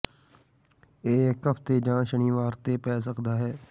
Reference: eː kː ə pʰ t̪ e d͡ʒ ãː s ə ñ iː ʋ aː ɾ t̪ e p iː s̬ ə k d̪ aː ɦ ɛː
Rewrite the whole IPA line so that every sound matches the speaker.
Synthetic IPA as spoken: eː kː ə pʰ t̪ e d͡ʒ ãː ʃ ə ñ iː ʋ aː ɾ t̪ e p ɛː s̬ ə k d̪ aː ɦ ɛː

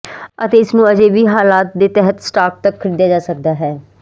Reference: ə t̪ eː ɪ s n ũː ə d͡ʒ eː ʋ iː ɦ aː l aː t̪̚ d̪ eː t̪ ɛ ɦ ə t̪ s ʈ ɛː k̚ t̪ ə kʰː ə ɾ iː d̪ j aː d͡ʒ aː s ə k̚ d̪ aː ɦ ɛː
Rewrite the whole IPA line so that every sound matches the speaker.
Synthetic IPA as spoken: ə t̪ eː ɪ s n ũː ə d͡ʒ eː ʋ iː ɦ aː l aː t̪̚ d̪ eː t̪ ɛ ɦ ə t̪ s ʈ aː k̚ t̪ ə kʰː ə ɾ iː d̪ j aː d͡ʒ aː s ə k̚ d̪ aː ɦ ɛː

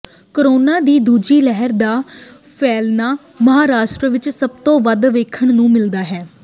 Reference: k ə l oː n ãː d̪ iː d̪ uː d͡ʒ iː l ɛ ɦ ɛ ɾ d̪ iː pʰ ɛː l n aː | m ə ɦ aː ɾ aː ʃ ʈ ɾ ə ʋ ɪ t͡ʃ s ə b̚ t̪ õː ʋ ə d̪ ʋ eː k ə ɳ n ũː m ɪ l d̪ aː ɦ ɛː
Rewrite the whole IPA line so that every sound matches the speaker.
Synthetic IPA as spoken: k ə ɾ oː n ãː d̪ iː d̪ uː d͡ʒ iː l ɛ ɦ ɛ ɾ d̪ aː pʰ ɛː l n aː | m ə ɦ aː ɾ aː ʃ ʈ ɾ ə ʋ ɪ t͡ʃ s ə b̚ t̪ õː ʋ ə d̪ ʋ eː kʰ ə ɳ n ũː m ɪ l d̪ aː ɦ ɛː

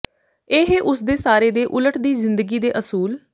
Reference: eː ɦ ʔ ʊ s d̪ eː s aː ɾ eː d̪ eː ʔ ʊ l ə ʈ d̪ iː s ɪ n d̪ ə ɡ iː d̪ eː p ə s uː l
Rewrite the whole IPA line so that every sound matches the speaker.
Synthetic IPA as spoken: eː ɦ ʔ ʊ s d̪ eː s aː ɾ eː d̪ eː ʔ ʊ l ə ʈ d̪ iː z ɪ n d̪ ə ɡ iː d̪ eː ʔ ə s uː l

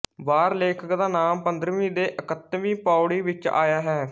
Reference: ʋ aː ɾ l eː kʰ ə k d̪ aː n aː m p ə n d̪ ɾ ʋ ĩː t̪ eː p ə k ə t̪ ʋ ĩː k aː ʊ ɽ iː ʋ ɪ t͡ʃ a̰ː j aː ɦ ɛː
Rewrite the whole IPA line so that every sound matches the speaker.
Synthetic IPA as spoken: ʋ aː ɾ l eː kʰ ə k d̪ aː n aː m p ə n d̪ ɾ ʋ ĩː d̪ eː ʔ ə k ə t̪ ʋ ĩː p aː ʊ ɽ iː ʋ ɪ t͡ʃ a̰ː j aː ɦ ɛː

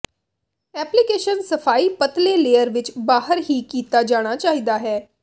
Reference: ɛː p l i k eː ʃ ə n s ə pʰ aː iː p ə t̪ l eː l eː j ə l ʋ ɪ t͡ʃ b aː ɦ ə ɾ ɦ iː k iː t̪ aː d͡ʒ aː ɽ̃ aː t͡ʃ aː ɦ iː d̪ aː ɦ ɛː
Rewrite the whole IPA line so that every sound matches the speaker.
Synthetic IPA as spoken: ɛː p l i k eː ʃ ə n s ə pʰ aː iː p ə t̪ l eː l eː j ə ɾ ʋ ɪ t͡ʃ b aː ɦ ə ɾ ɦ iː k iː t̪ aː d͡ʒ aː ɽ̃ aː t͡ʃ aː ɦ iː d̪ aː ɦ ɛː

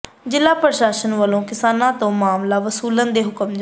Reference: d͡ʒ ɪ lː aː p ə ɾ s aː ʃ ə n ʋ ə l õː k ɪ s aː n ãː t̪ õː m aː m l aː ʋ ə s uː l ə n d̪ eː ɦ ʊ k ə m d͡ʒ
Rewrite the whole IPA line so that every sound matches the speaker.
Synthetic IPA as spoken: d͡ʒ ɪ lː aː p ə ɾ ʃ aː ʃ ə n ʋ ə l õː k ɪ s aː n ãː t̪ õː m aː m l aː ʋ ə s uː l ə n d̪ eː ɦ ʊ k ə m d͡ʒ

